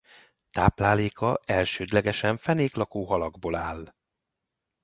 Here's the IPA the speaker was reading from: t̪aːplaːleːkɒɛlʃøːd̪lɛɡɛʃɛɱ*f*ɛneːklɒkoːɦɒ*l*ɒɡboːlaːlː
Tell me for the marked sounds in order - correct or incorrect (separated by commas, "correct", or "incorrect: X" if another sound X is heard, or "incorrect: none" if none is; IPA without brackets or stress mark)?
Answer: correct, correct